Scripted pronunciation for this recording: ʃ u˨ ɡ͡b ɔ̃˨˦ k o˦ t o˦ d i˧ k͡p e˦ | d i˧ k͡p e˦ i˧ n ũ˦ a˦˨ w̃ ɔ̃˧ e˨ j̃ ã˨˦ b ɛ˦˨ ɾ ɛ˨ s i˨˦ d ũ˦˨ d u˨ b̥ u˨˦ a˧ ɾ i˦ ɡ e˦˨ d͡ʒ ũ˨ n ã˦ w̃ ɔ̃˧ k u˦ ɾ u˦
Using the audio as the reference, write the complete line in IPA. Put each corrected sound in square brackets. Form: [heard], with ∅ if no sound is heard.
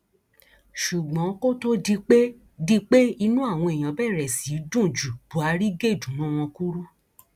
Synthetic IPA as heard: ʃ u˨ ɡ͡b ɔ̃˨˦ k o˦ t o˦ d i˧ k͡p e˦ | d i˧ k͡p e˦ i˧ n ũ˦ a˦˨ w̃ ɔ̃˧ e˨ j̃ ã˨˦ b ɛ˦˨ ɾ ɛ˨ s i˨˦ d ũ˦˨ [d͡ʒ] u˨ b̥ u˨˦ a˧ ɾ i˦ ɡ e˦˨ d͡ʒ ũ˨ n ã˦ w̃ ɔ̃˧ k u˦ ɾ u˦